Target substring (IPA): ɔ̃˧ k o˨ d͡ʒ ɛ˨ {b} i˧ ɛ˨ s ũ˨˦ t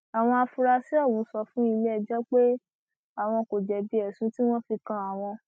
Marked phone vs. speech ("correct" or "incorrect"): correct